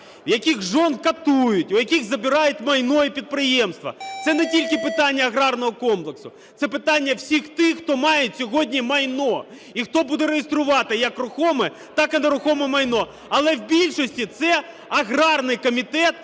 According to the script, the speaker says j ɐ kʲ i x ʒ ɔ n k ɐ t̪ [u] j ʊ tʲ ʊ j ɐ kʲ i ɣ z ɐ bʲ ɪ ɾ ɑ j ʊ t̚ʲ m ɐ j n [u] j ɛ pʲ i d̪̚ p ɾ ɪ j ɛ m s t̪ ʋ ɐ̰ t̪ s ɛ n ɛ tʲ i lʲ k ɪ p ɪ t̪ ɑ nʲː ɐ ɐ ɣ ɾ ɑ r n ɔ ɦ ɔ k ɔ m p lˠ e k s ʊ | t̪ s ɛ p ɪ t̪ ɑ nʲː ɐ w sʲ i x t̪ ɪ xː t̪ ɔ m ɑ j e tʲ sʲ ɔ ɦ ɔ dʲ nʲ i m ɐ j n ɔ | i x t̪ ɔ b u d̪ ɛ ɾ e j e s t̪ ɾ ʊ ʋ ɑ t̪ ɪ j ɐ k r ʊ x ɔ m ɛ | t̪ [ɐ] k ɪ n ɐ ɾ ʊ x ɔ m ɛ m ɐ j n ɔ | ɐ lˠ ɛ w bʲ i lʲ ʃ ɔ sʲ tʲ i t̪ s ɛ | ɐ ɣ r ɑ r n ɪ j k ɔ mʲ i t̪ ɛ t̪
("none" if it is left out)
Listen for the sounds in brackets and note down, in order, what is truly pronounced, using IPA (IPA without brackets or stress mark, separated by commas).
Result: u, ɔ, ɑ